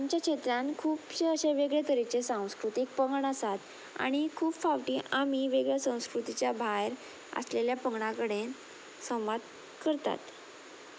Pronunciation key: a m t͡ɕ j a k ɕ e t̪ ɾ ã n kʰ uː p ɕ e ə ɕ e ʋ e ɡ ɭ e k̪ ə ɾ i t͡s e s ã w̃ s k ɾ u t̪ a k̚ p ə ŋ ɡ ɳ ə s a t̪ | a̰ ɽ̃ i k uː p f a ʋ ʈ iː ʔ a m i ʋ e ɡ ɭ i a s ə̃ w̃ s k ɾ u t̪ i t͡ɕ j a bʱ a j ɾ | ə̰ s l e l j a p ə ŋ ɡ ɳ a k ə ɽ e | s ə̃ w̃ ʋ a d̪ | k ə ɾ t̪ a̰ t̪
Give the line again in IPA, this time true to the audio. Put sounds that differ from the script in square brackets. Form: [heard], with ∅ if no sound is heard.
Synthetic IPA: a m t͡ɕ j a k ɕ e t̪ ɾ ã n kʰ uː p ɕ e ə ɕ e ʋ e ɡ ɭ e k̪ ə ɾ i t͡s e s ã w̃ s k ɾ u t̪ [i] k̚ p ə ŋ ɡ ɳ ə s a t̪ | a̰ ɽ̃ i [kʰ] uː p f a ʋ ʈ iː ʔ a m i ʋ e ɡ ɭ [j] a s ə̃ w̃ s k ɾ u t̪ i t͡ɕ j a bʱ a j ɾ | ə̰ s l e l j a p ə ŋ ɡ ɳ a k ə ɽ e | s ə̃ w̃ ʋ a d̪ | k ə ɾ t̪ a̰ t̪